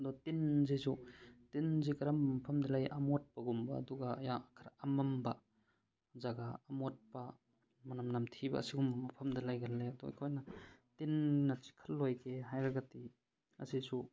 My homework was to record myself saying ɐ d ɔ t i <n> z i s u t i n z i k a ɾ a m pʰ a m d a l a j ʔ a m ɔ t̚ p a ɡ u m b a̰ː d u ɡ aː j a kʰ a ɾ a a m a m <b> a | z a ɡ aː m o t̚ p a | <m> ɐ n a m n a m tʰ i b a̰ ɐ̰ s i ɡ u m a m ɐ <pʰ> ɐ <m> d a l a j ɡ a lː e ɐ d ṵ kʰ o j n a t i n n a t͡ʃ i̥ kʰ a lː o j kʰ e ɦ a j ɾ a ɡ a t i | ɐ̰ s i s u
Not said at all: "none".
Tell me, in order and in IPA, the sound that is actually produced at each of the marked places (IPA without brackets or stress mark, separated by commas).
n, b, m, pʰ, m